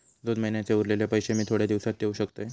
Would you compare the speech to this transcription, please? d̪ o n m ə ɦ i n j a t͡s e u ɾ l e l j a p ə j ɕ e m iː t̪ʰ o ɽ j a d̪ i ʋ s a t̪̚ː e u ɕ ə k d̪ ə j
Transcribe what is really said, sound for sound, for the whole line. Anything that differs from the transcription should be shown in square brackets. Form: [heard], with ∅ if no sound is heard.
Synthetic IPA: d̪ o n m ə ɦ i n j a t͡s e u ɾ l e l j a p ə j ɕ e m iː t̪ʰ o ɽ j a d̪ i ʋ s a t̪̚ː e u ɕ ə k [t̪] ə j